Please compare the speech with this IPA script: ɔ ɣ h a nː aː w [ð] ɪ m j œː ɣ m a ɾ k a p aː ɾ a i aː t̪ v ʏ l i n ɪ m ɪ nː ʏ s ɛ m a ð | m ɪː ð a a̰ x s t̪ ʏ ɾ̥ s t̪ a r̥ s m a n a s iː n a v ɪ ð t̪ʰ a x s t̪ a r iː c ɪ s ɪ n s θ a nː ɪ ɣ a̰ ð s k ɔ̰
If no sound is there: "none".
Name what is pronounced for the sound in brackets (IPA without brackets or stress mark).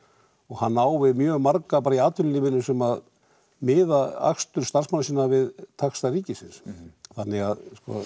v